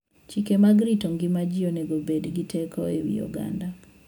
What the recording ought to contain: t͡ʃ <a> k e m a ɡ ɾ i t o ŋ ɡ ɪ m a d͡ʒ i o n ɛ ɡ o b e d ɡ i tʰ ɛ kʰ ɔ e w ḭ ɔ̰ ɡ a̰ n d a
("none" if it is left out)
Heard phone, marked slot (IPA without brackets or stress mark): i